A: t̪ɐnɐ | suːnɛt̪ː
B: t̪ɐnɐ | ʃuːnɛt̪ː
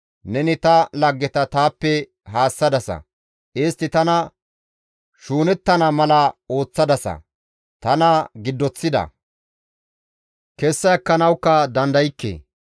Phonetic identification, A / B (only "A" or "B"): B